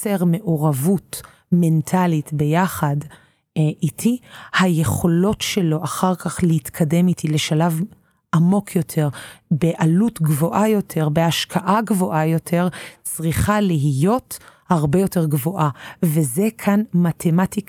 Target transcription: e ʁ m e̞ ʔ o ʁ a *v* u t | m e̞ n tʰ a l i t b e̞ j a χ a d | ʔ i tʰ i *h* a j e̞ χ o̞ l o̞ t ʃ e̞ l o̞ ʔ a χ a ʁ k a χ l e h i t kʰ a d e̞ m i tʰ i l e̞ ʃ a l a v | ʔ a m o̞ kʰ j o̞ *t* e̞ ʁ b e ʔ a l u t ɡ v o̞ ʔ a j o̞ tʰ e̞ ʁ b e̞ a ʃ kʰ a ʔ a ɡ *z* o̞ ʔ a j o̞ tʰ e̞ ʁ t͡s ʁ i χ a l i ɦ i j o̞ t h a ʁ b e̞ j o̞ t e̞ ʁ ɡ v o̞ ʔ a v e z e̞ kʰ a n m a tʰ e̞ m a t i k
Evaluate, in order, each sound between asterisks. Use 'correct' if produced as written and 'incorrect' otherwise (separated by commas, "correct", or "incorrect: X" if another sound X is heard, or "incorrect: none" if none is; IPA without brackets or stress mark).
correct, correct, incorrect: tʰ, incorrect: v